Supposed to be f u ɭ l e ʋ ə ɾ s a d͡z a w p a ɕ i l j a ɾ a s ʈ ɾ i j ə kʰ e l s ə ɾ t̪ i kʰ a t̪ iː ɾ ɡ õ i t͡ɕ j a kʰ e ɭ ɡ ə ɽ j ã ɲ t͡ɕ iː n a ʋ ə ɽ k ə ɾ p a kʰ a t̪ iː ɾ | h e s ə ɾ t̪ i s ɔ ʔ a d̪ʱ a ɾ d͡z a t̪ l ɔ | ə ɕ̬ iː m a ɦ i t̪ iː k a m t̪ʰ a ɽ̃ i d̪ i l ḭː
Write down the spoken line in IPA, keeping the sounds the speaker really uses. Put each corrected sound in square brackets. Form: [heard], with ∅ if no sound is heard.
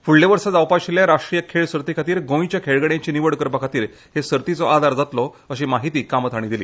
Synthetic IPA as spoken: f u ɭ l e ʋ ə ɾ s a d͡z a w p a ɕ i l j a ɾ a [ʂ] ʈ ɾ i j ə kʰ e [ɭ] s ə ɾ t̪ i kʰ a t̪ iː ɾ ɡ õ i t͡ɕ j a kʰ e ɭ ɡ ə ɽ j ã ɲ t͡ɕ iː n [i] ʋ ə ɽ k ə ɾ p a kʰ a t̪ iː ɾ | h e s ə ɾ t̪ i [t͡s] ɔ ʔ a d̪ʱ a ɾ d͡z a t̪ l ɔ | ə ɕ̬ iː m a ɦ i t̪ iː k a m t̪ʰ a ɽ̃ i d̪ i l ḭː

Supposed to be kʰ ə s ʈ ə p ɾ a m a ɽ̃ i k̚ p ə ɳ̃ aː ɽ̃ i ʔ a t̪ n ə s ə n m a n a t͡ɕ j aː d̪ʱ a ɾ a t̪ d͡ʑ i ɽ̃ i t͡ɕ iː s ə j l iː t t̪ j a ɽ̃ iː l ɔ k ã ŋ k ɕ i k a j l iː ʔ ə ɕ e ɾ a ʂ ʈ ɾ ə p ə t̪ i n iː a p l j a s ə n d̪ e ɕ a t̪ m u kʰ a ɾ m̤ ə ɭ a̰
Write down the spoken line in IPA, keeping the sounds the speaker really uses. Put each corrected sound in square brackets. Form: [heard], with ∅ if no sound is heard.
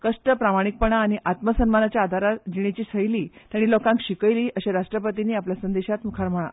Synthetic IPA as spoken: [k] ə [ʂ] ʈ ə p ɾ a m a ɽ̃ i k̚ p ə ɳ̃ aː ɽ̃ i ʔ a t̪ [m] ə s ə n m a n a t͡ɕ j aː d̪ʱ a ɾ a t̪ d͡ʑ i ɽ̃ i t͡ɕ iː s ə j l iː t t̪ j a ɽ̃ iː l ɔ k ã ŋ k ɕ i k [ə] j l iː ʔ ə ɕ e ɾ a ʂ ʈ ɾ ə p ə t̪ i n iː a p l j a s ə n d̪ e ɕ a t̪ m u kʰ a ɾ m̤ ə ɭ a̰

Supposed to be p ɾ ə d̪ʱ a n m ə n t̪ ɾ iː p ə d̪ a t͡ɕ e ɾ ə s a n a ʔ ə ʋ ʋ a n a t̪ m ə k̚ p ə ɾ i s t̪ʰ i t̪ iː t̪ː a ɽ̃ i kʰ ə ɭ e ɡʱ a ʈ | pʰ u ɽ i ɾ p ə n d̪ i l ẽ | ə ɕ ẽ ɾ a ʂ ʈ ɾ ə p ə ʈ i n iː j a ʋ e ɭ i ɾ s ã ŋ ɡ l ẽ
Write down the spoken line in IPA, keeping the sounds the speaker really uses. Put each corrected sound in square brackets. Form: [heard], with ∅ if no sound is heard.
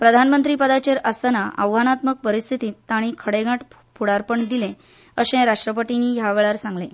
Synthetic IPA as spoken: p ɾ ə d̪ʱ a n m ə n t̪ ɾ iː p ə d̪ a t͡ɕ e ɾ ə s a n a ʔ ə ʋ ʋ a n a t̪ m ə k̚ p ə ɾ i s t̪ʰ i t̪ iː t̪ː a ɽ̃ i kʰ ə [ɽ] e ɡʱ a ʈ | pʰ u ɽ [a] ɾ p ə [ɳ] d̪ i l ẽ | ə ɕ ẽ ɾ a ʂ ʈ ɾ ə p ə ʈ i n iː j a ʋ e ɭ [a] ɾ s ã ŋ ɡ l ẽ

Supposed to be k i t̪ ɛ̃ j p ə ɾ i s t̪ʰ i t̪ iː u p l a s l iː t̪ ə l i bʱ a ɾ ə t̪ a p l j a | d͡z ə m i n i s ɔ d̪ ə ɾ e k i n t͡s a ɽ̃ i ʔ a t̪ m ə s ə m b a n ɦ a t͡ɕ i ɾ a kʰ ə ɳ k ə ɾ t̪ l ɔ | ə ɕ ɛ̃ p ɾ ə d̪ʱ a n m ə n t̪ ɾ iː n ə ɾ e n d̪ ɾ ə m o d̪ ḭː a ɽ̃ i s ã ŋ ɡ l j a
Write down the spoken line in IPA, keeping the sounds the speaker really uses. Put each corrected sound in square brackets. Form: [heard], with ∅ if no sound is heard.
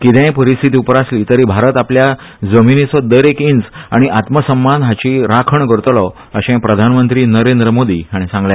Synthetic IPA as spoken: k i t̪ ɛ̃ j p ə ɾ i s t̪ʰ i t̪ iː u p [ɾ] a s l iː t̪ ə [ɾ] i bʱ a ɾ ə t̪ a p l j a | d͡z ə m i n i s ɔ d̪ ə ɾ e k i n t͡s a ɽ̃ i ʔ a t̪ m ə s ə m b a n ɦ a t͡ɕ i ɾ a kʰ ə ɳ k ə ɾ t̪ l ɔ | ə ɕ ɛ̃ p ɾ ə d̪ʱ a n m ə n t̪ ɾ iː n ə ɾ e n d̪ ɾ ə m o d̪ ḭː a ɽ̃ i s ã ŋ ɡ l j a

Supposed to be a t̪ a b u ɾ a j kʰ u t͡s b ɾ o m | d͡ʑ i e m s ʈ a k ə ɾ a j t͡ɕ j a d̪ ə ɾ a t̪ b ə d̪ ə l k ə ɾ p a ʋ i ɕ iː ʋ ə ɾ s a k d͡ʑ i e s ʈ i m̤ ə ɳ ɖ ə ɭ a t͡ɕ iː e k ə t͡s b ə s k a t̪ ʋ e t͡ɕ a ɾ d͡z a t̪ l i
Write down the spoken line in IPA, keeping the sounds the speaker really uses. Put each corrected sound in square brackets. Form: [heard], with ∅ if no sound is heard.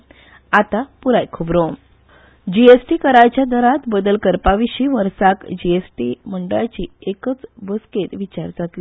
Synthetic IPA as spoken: a t̪ a [p] u ɾ a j kʰ u [∅] b ɾ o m | d͡ʑ i e [∅] s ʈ [i] k ə ɾ a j t͡ɕ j a d̪ ə ɾ a t̪ b ə d̪ ə l k ə ɾ p a ʋ i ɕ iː ʋ ə ɾ s a k d͡ʑ i e s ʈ i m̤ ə ɳ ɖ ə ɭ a t͡ɕ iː e k ə t͡s b ə s k [e] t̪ ʋ [i] t͡ɕ a ɾ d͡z a t̪ l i

